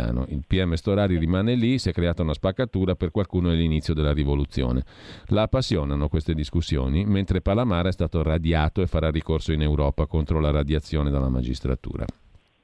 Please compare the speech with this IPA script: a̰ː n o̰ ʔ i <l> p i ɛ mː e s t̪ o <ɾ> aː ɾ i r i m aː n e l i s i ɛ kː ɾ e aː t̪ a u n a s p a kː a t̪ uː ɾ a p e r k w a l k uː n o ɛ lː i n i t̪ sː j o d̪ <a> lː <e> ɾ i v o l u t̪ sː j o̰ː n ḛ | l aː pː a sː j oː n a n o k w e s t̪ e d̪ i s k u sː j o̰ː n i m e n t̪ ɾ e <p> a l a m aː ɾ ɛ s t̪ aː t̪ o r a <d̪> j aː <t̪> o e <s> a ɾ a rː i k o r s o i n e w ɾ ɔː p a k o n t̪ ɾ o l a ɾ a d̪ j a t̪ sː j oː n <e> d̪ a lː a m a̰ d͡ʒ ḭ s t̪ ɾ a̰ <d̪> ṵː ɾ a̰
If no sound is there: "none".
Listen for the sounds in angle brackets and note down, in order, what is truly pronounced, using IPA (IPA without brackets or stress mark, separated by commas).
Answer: l, ɾ, e, a, p, d̪, t̪, f, e, t̪